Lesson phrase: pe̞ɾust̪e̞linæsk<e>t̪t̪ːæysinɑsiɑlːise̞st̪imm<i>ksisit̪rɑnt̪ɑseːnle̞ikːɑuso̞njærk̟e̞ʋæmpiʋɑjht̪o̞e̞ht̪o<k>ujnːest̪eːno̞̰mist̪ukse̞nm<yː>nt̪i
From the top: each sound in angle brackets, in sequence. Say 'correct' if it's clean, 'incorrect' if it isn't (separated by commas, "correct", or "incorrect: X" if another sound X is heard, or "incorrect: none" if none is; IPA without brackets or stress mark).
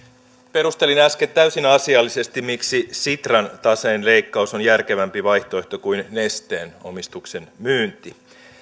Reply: correct, correct, correct, correct